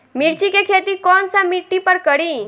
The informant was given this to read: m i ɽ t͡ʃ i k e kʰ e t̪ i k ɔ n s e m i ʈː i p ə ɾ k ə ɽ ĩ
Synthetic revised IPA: m i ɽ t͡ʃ i k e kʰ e t̪ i k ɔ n s a m i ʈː i p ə ɾ k ə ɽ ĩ